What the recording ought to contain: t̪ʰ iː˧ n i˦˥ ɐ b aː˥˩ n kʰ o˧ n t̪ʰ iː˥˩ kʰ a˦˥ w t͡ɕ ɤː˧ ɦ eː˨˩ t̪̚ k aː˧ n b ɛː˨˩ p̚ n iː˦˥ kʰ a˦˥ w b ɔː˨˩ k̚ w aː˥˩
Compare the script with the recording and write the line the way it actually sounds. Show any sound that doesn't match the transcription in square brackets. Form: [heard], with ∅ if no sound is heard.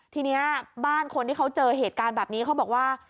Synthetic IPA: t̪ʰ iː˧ n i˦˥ ɐ b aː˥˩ n kʰ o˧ n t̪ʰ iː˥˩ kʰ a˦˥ w t͡ɕ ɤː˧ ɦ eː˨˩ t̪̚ k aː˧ n b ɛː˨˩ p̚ n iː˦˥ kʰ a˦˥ w b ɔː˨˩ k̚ w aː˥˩